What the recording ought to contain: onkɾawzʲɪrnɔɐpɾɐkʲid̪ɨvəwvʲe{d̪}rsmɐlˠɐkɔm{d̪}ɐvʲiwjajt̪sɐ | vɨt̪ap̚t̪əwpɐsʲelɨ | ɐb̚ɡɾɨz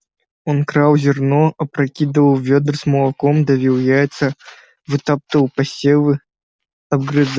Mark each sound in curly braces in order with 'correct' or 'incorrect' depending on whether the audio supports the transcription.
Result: correct, correct

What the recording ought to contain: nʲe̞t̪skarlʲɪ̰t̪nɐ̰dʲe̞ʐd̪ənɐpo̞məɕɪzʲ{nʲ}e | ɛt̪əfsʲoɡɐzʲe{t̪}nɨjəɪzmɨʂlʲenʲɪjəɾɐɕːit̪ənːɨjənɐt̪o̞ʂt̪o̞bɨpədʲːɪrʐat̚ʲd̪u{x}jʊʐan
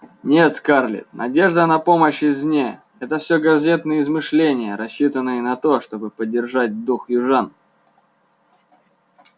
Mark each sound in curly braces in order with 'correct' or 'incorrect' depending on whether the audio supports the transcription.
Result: correct, correct, correct

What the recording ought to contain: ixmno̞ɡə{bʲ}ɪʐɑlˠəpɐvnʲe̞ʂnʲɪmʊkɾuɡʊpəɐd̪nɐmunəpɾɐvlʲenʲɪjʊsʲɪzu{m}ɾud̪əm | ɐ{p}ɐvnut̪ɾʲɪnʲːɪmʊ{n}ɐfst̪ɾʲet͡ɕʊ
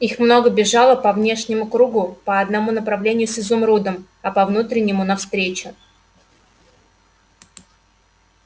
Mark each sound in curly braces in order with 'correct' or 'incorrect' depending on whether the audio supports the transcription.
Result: correct, correct, correct, correct

